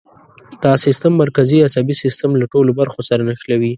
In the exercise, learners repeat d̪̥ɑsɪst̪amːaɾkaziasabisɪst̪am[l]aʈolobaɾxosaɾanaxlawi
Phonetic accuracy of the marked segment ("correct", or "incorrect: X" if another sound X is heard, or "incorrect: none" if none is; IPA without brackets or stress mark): correct